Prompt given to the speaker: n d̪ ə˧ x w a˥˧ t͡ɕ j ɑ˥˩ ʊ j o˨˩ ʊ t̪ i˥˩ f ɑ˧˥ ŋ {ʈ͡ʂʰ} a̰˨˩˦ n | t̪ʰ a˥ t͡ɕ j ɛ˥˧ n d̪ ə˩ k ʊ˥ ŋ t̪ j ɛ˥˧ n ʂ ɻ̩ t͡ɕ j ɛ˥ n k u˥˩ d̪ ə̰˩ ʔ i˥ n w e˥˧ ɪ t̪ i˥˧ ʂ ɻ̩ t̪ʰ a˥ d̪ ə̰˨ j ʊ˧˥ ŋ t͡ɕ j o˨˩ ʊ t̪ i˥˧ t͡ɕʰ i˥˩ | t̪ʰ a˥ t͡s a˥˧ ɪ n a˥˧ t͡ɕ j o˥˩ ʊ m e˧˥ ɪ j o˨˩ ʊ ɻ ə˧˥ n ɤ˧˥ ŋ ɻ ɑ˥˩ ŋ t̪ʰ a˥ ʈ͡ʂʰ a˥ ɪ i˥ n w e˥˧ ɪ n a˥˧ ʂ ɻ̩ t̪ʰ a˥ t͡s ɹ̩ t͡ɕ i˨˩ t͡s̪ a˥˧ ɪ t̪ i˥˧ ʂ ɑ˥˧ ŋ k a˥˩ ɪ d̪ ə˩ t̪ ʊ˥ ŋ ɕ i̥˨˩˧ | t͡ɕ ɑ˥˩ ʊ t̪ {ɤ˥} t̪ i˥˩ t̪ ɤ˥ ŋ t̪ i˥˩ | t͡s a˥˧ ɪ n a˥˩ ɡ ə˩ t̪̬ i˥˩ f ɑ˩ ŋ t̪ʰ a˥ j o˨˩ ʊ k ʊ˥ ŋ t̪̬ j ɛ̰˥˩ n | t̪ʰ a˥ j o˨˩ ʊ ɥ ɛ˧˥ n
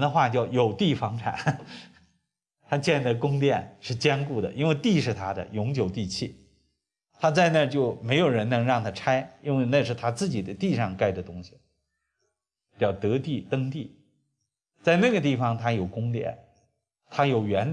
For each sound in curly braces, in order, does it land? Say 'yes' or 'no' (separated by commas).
yes, no